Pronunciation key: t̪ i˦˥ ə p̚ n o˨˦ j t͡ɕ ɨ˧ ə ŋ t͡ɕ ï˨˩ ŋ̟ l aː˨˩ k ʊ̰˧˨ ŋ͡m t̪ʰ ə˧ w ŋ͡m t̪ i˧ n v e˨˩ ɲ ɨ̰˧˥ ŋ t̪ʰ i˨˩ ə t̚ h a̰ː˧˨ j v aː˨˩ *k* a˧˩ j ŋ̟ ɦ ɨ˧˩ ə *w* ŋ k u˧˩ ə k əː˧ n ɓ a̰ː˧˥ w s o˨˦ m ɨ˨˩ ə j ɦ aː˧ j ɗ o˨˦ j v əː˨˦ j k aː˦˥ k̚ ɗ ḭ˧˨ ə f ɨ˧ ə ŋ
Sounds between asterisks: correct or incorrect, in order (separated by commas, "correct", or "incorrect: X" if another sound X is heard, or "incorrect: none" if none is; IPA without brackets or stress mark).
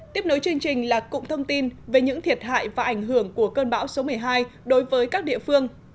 incorrect: ʔ, incorrect: none